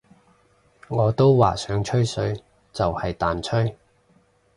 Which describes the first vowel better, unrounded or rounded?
rounded